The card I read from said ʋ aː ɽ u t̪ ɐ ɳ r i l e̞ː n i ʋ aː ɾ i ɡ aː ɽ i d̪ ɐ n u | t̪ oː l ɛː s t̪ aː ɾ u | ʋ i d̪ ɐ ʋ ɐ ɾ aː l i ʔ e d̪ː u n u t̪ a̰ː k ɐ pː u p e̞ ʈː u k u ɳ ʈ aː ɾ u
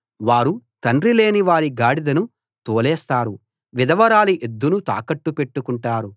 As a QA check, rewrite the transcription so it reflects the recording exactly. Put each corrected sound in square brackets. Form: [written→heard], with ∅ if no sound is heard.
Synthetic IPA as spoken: ʋ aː [ɽ→ɾ] u t̪ ɐ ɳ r i l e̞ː n i ʋ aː ɾ i ɡ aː ɽ i d̪ ɐ n u | t̪ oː l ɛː s t̪ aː ɾ u | ʋ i d̪ ɐ ʋ ɐ ɾ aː l i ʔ e d̪ː u n u t̪ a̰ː k ɐ [pː→ʈː] u p e̞ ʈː u k u ɳ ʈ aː ɾ u

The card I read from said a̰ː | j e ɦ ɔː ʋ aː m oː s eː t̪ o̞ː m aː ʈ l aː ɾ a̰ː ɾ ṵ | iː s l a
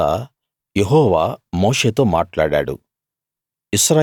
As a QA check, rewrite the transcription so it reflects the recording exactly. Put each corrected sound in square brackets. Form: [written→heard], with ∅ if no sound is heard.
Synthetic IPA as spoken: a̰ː | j e ɦ ɔː ʋ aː m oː [s→ʂ] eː t̪ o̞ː m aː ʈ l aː [ɾ→ɽ] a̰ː [ɾ→ɽ] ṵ | [iː→i] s [l→ɾ] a

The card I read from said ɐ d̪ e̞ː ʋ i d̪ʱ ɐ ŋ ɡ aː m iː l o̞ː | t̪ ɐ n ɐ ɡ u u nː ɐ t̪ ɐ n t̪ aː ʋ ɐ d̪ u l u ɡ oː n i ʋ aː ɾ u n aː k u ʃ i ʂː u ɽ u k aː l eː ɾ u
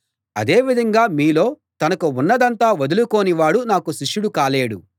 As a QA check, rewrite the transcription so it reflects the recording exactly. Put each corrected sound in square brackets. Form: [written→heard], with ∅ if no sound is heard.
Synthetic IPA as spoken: ɐ d̪ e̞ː ʋ i d̪ʱ ɐ ŋ ɡ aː m iː l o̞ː | t̪ ɐ n ɐ [ɡ→k] u u nː ɐ [t̪→d̪] ɐ n t̪ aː ʋ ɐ d̪ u l u [ɡ→k] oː n i ʋ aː [ɾ→ɽ] u n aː k u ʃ i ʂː u ɽ u k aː l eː [ɾ→ɽ] u

